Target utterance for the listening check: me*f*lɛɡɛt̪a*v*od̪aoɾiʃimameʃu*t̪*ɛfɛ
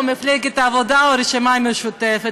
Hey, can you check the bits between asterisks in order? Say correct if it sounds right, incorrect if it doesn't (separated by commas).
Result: correct, correct, correct